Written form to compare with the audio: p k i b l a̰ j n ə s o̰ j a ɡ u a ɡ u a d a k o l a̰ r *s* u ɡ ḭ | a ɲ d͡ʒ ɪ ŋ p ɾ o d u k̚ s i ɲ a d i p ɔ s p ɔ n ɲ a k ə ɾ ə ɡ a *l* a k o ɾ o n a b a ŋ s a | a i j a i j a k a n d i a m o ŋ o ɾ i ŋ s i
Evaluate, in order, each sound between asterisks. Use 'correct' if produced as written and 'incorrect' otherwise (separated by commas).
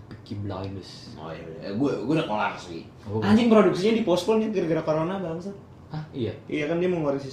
correct, incorrect